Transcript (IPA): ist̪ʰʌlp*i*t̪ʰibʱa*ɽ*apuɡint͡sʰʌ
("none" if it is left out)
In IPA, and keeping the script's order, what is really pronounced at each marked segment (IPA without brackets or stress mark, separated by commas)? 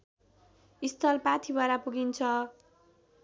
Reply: a, ɾ